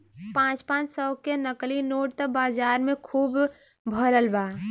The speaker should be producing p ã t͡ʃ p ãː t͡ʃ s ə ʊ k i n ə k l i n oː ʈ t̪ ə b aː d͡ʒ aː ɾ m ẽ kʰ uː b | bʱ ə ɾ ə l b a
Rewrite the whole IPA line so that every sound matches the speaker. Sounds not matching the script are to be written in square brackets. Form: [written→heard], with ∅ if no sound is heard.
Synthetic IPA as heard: p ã t͡ʃ p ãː t͡ʃ s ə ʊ k [i→e] n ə k l i n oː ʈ t̪ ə b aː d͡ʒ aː ɾ m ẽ kʰ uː b | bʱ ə ɾ ə l b a